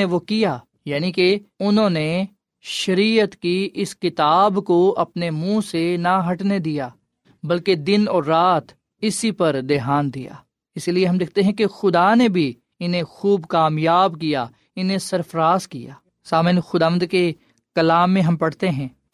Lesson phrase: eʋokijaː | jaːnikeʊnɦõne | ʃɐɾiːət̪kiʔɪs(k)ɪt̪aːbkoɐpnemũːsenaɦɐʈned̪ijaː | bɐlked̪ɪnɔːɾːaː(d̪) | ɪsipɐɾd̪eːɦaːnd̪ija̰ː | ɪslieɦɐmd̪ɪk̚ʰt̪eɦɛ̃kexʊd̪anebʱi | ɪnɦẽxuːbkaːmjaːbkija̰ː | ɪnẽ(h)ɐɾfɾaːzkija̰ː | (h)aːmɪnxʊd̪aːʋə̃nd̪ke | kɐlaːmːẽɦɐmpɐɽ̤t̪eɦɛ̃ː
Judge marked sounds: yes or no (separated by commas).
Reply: yes, no, no, no